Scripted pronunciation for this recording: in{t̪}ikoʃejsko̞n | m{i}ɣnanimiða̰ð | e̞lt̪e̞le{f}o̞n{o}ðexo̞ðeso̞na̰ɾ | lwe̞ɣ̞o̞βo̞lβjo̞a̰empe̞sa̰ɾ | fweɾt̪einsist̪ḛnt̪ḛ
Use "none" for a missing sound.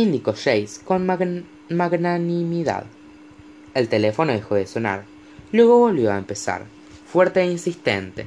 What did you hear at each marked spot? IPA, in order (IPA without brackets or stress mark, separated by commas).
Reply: d̪, a, f, o